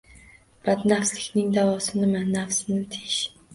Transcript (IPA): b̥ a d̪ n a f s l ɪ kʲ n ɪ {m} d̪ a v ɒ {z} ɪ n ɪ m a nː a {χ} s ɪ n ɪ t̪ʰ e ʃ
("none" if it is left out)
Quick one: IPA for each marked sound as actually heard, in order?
ŋ, s, f

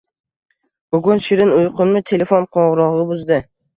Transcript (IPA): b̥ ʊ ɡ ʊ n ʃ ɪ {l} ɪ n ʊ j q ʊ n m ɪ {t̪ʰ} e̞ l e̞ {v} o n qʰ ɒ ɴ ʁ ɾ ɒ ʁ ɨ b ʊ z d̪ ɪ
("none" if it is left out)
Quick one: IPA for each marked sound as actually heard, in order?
ɾ, t̪ʰ, f

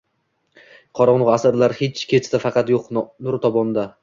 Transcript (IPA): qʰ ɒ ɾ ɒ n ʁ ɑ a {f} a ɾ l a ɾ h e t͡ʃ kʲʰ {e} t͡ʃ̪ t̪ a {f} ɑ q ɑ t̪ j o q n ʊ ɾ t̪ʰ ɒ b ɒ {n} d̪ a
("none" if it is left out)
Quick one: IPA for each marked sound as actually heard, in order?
s, e, f, n

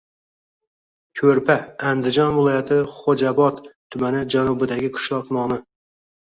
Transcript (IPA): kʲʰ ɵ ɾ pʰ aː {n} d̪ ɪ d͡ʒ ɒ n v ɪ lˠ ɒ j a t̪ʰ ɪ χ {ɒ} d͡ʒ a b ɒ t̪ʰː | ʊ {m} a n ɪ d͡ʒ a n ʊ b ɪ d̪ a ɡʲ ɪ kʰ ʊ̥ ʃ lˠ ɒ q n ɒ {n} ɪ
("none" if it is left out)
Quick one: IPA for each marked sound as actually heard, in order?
n, o, m, m

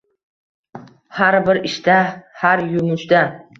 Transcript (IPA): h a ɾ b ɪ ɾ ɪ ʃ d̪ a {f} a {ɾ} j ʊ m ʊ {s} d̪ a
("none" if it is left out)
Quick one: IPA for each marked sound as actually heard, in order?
h, ɾ, ʃ

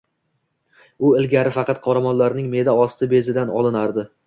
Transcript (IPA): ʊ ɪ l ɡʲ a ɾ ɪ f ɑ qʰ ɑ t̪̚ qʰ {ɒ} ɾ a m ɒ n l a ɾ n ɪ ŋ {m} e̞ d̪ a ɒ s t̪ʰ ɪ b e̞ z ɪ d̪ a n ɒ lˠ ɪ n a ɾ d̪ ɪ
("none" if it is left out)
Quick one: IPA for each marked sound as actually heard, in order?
ɒ, m

